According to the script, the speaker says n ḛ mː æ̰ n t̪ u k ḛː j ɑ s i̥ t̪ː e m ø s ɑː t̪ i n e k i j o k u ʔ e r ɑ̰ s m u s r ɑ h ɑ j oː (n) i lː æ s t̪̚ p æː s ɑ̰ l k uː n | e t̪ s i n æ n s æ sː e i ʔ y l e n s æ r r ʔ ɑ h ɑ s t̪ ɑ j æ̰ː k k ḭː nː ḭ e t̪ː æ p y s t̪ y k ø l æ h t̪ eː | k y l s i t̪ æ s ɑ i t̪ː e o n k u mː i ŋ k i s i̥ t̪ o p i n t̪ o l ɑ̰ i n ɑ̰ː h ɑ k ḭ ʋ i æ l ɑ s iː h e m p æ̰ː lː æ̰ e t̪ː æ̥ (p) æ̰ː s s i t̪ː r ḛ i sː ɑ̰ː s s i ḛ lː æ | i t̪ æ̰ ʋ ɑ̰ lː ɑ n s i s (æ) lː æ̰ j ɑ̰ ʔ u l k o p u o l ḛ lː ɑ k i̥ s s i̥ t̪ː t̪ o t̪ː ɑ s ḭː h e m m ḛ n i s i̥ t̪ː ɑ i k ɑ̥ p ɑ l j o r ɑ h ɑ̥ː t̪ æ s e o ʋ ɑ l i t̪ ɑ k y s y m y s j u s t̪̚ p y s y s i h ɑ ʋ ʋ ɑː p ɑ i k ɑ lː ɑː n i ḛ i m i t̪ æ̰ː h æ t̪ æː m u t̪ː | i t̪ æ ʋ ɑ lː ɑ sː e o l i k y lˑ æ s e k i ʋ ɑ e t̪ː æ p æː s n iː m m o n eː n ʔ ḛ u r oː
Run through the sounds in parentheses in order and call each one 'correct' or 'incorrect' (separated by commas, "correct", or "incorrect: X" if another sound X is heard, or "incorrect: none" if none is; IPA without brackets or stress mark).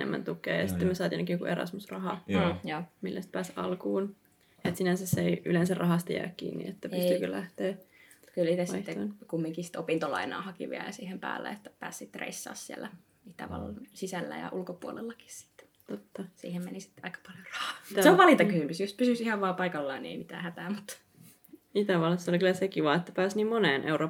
incorrect: m, correct, correct